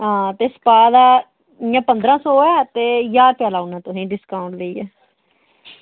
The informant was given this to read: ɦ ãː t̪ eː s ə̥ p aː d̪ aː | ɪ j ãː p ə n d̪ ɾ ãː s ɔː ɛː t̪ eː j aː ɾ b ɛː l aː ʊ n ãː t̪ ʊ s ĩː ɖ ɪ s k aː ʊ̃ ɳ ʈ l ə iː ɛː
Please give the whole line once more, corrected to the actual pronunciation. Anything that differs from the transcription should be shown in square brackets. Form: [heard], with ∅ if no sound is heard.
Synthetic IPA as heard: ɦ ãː t̪ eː s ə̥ p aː d̪ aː | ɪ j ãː p ə n d̪ ɾ ãː s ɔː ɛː t̪ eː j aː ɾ [p] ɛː l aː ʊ n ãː t̪ ʊ s ĩː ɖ ɪ s k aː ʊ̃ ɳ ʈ l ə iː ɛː